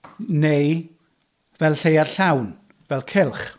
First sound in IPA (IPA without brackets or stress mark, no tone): n